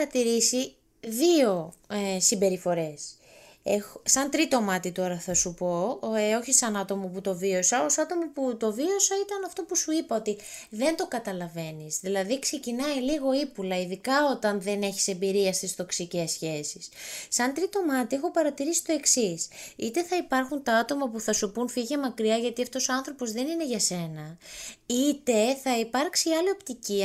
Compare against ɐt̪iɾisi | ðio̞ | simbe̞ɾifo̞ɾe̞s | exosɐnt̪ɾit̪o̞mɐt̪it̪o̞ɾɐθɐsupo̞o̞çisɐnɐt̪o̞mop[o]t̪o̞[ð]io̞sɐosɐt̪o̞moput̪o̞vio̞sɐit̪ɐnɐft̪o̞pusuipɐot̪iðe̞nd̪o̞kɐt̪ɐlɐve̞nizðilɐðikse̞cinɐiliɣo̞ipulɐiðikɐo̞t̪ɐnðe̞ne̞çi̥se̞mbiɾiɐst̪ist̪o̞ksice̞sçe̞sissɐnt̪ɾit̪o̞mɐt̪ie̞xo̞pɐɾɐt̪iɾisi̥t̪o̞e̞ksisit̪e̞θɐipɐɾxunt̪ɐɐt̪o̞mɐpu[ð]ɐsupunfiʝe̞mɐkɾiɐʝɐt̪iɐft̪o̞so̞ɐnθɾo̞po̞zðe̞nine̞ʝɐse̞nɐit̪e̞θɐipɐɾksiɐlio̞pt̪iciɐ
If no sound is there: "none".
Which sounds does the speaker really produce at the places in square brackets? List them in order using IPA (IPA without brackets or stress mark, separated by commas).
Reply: u, v, θ